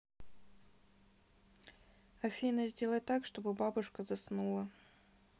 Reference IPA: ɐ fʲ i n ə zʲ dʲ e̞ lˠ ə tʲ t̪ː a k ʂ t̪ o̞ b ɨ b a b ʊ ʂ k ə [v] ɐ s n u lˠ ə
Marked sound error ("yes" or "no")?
yes